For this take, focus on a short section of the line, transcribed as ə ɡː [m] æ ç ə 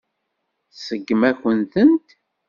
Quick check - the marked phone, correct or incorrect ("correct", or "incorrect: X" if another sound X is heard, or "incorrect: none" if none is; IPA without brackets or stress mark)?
correct